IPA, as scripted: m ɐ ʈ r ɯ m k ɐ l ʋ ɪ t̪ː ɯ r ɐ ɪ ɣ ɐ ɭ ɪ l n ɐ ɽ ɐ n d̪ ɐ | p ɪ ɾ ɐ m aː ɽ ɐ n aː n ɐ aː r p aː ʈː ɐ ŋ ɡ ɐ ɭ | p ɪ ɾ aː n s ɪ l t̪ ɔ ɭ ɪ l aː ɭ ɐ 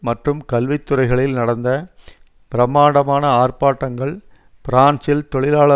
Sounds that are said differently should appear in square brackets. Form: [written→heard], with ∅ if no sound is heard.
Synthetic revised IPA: m ɐ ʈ r ɯ m k ɐ l ʋ ɪ t̪ː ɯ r ɐ ɪ ɣ ɐ ɭ ɪ l n ɐ ɽ ɐ n d̪ ɐ | p ɪ ɾ ɐ m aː ɽ ɐ [n→m] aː n ɐ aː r p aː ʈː ɐ ŋ ɡ ɐ ɭ | p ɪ ɾ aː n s ɪ l t̪ ɔ ɭ ɪ l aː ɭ ɐ